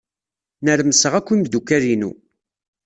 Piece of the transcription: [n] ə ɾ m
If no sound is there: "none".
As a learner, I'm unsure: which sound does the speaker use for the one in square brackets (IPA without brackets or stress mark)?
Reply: n